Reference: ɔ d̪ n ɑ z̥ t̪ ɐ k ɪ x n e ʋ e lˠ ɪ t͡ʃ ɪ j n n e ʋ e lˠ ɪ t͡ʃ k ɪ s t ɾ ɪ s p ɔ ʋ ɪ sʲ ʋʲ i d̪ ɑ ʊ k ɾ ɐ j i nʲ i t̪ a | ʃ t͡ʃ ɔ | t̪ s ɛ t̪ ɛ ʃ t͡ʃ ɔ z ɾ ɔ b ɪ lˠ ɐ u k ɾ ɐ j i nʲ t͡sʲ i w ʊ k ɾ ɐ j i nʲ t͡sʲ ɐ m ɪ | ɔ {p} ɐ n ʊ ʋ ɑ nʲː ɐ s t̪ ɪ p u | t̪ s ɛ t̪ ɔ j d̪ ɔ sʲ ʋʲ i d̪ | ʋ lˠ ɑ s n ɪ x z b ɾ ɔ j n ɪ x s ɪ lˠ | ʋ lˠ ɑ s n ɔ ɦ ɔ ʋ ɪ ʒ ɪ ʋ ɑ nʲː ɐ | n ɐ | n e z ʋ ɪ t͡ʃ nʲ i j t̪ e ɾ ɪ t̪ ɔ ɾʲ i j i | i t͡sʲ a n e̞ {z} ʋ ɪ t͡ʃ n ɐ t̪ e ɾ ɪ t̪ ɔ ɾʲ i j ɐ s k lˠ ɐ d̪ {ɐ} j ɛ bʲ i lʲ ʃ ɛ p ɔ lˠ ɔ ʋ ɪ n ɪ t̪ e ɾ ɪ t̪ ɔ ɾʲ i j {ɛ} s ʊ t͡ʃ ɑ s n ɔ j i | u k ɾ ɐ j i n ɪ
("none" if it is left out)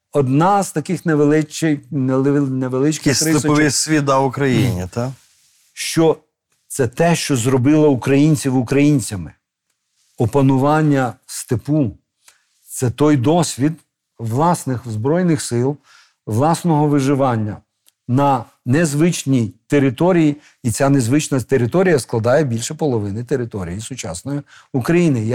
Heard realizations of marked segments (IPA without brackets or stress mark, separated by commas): p, z, ɑ, i